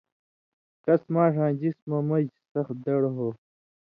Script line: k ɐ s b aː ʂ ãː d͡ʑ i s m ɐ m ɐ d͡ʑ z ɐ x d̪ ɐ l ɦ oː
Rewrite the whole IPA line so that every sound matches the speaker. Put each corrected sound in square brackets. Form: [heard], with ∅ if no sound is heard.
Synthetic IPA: k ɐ s [m] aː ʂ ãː d͡ʑ i s m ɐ m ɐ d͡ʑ [s] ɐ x d̪ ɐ [ɽ] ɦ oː